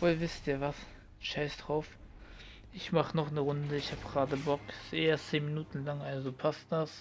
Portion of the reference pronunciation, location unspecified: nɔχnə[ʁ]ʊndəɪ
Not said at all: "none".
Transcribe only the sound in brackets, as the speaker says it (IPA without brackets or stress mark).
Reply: ʁ